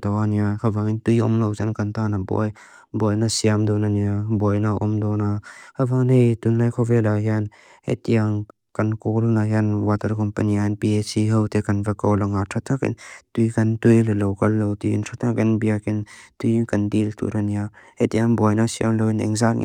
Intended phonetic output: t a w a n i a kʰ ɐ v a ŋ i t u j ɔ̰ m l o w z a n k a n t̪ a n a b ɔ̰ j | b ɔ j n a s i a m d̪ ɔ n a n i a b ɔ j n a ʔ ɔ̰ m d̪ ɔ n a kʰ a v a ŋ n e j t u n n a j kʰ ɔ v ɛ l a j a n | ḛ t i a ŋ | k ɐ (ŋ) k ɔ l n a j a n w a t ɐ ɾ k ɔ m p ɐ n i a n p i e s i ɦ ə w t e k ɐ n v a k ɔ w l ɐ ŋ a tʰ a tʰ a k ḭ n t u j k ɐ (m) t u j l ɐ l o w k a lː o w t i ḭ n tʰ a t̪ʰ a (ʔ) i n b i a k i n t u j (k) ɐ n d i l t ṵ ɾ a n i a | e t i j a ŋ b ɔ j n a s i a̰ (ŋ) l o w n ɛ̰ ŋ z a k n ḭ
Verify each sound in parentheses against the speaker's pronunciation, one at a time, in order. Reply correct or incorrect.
incorrect, incorrect, incorrect, correct, incorrect

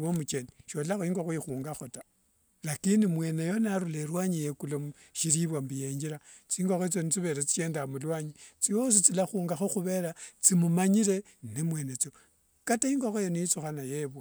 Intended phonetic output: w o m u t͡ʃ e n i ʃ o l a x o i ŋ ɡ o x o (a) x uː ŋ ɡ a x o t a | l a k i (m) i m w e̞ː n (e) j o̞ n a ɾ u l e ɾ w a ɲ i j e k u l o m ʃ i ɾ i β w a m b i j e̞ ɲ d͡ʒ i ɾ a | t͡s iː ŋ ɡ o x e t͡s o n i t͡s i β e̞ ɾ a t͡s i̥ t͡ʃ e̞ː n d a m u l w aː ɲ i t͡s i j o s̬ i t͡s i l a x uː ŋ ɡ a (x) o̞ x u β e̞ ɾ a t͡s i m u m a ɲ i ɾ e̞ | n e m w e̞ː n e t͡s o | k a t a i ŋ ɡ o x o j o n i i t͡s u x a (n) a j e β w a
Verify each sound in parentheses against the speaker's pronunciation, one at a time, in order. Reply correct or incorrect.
incorrect, incorrect, correct, correct, correct

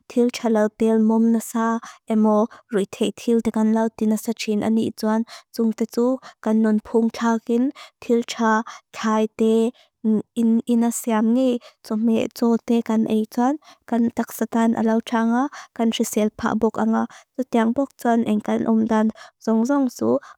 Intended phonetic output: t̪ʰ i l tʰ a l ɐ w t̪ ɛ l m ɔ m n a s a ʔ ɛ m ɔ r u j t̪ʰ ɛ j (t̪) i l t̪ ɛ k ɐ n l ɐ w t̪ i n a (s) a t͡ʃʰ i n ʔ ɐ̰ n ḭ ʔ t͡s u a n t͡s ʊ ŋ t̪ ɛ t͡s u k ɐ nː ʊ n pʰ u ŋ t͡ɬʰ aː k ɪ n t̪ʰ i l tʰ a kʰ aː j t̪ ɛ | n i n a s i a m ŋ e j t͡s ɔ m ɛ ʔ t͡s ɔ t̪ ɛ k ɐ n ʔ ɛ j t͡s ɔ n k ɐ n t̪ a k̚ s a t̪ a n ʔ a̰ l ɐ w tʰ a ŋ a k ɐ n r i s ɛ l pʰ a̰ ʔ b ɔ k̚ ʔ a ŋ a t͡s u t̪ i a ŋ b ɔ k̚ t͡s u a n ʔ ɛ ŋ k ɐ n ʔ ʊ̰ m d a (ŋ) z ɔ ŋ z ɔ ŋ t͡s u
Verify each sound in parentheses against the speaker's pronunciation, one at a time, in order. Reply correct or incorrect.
incorrect, correct, incorrect

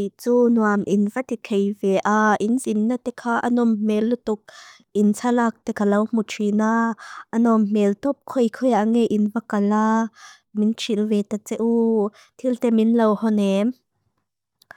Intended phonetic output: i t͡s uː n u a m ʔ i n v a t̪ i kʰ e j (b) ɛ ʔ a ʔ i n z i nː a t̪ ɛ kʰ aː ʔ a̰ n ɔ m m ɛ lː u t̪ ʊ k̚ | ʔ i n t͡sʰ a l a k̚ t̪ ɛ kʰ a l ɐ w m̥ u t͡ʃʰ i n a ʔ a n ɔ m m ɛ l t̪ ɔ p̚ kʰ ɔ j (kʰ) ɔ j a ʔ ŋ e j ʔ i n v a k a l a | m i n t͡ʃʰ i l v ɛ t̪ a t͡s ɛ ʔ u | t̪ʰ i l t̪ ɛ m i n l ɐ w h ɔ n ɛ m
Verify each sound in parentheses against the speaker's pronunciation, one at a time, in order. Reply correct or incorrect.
incorrect, correct

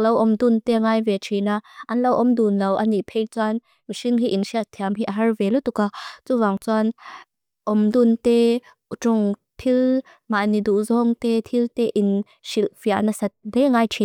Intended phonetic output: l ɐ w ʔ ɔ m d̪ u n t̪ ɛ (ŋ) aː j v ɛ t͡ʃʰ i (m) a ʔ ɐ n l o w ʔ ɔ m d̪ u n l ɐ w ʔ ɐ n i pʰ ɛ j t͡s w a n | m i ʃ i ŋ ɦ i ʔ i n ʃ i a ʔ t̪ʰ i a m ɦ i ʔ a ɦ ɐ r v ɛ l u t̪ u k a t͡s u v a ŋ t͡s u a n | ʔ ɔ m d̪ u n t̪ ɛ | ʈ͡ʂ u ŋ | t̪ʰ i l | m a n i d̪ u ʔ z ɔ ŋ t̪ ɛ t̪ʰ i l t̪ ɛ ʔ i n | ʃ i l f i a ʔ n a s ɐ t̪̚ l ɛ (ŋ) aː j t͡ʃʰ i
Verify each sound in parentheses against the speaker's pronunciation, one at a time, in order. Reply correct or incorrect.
correct, incorrect, correct

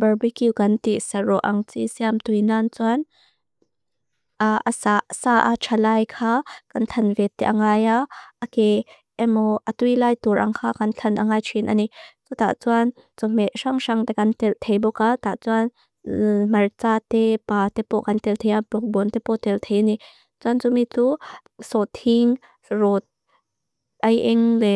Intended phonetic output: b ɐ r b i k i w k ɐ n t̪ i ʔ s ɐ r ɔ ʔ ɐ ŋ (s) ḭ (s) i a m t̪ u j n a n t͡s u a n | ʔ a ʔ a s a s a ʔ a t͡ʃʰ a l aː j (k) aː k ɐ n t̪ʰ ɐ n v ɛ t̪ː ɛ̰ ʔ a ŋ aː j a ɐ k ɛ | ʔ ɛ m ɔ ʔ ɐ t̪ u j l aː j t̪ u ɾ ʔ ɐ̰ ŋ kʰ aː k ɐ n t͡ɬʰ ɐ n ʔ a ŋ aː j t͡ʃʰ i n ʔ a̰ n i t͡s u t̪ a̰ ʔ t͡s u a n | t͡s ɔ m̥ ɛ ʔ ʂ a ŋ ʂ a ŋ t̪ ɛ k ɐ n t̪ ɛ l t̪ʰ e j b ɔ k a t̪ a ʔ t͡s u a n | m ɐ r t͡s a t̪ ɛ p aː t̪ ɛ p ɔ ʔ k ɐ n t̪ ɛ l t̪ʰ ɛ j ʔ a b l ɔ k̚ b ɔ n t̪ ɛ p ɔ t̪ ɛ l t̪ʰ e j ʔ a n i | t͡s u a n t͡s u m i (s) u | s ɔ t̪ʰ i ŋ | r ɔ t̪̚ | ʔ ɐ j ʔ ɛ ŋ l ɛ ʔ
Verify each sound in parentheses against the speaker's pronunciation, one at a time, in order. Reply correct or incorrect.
incorrect, correct, incorrect, incorrect

